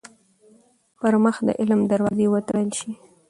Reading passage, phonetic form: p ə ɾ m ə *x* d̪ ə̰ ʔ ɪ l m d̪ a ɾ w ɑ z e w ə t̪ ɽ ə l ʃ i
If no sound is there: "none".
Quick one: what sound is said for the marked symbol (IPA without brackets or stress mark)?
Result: x